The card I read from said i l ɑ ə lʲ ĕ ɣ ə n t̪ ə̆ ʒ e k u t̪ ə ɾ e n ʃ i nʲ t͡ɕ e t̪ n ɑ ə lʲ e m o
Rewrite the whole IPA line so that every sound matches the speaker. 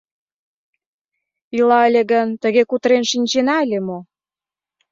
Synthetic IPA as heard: i l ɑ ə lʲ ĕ ɣ ə n t̪ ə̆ ɣ e k u t̪ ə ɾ e n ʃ i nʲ t͡ɕ e n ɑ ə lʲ e m o